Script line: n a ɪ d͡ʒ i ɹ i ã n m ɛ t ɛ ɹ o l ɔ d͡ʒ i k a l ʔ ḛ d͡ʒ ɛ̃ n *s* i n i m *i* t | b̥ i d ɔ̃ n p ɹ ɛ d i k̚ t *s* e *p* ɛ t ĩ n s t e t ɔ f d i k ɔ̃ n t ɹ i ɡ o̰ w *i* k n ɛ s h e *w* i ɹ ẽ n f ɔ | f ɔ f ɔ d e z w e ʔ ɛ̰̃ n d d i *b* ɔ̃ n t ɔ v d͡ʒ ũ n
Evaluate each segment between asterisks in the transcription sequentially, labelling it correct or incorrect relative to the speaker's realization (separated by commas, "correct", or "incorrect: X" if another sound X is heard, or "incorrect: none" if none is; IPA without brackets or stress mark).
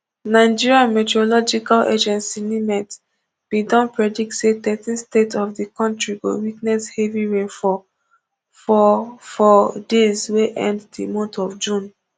correct, incorrect: ɛ, correct, incorrect: t, correct, incorrect: v, incorrect: m